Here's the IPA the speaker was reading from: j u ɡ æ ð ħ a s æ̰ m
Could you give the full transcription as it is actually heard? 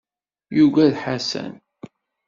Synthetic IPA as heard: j u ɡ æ ð ħ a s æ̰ n